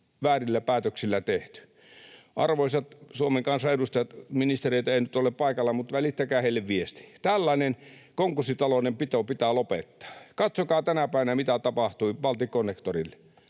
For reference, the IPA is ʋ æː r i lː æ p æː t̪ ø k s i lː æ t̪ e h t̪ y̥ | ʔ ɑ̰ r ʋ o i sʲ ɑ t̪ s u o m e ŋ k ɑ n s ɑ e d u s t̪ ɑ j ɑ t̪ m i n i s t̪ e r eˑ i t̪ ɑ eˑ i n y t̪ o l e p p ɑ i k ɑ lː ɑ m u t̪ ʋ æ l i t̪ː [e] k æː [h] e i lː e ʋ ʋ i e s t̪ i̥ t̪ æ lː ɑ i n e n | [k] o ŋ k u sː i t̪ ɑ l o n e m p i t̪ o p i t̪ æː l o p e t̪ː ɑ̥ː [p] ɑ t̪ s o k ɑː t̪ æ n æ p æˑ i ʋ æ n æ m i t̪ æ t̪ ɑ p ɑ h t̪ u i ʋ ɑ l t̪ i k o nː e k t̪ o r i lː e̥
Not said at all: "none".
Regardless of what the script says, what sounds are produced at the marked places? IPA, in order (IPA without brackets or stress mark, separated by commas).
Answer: æ, h, k, k